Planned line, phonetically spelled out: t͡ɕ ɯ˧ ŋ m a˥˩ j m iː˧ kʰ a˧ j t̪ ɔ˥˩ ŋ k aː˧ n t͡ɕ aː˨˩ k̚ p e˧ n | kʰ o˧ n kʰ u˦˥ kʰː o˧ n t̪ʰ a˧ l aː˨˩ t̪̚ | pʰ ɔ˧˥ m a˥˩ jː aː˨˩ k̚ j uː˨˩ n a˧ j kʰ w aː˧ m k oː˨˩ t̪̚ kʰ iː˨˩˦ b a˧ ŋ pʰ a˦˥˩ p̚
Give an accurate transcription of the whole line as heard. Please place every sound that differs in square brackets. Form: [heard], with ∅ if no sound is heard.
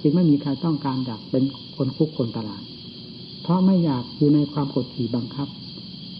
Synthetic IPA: t͡ɕ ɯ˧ ŋ m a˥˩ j m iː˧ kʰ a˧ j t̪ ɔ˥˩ ŋ k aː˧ n t͡ɕ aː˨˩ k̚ p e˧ n | kʰ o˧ n kʰ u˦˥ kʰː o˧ n [t̪] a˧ l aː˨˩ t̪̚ | pʰ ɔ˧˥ m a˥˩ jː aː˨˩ k̚ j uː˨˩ n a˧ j kʰ w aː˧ m k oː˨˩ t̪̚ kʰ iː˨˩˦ b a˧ ŋ [kʰ] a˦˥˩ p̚